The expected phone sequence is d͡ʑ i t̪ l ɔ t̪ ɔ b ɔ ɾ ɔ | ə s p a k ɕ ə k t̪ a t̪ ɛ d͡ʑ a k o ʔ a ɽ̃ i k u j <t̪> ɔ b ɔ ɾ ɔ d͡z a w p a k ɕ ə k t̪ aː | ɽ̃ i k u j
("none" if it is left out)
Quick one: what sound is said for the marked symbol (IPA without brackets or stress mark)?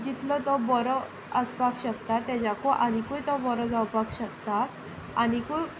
t̪